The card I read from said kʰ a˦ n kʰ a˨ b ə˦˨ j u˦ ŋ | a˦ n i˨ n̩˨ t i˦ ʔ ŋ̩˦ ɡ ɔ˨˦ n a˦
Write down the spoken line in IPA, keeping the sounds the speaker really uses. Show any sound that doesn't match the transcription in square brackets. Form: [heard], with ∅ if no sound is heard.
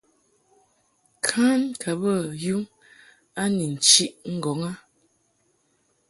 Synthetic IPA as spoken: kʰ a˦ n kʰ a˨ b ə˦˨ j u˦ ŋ | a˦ n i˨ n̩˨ [t͡ʃ] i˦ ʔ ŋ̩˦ ɡ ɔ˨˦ [ŋ] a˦